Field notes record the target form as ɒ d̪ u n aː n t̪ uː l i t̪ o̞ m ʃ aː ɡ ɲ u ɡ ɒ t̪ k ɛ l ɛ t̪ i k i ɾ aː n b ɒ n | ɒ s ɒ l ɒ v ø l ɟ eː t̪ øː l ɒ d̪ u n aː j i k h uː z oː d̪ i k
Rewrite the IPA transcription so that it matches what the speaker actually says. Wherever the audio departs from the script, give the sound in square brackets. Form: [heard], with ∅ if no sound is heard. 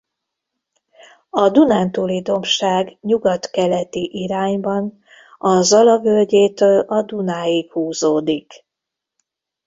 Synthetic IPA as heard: ɒ d̪ u n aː n t̪ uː l i [d̪] o̞ m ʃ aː ɡ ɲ u ɡ ɒ t̪ k ɛ l ɛ t̪ i [ʔ] i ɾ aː [ɲ] b ɒ n | ɒ [z] ɒ l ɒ v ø l ɟ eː t̪ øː l ɒ d̪ u n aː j i k h uː z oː d̪ i k